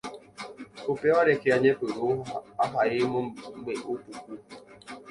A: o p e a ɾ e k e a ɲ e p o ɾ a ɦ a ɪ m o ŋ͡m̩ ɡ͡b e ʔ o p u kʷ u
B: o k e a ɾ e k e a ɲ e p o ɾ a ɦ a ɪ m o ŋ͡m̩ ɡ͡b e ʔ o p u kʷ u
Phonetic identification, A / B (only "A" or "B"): A